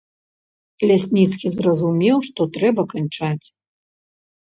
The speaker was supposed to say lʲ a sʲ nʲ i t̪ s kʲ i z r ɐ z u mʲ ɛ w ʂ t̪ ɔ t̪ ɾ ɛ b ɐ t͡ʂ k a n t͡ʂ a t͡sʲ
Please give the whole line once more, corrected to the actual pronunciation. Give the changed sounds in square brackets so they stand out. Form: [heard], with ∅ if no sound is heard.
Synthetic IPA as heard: lʲ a sʲ nʲ i t̪ s kʲ i z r ɐ z u mʲ ɛ w ʂ t̪ ɔ t̪ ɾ ɛ b ɐ [∅] k a n t͡ʂ a t͡sʲ